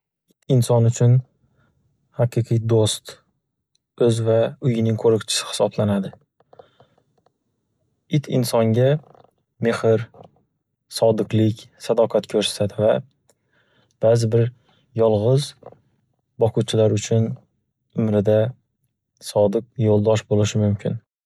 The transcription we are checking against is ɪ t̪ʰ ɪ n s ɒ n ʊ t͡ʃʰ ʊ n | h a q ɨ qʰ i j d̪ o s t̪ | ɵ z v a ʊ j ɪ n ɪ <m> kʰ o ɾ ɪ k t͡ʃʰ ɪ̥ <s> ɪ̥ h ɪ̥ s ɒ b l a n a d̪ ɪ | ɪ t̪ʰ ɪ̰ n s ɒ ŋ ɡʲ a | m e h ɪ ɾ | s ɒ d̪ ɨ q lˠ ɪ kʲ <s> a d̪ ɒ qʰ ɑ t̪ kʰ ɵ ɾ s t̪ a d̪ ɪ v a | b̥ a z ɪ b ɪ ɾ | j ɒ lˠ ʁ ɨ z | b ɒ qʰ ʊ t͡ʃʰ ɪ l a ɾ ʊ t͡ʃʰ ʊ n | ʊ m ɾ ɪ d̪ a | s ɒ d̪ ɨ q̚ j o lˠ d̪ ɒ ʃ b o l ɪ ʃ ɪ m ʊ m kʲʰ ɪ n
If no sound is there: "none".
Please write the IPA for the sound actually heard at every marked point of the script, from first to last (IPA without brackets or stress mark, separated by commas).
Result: ŋ, s, s